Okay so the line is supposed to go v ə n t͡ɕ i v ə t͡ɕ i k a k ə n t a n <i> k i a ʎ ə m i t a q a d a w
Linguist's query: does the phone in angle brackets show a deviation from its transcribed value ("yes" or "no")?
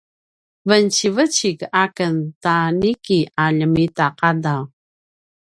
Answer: no